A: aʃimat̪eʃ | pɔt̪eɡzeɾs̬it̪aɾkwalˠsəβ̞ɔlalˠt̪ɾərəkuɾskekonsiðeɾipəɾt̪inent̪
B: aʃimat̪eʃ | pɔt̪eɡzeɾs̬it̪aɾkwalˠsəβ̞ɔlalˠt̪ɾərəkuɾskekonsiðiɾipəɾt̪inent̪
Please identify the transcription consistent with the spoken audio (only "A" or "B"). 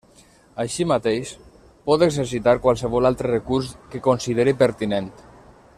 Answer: A